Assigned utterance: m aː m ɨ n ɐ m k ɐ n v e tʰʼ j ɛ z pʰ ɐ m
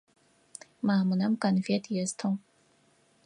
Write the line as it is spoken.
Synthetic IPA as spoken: m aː m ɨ n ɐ m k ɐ n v e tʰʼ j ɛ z tʰ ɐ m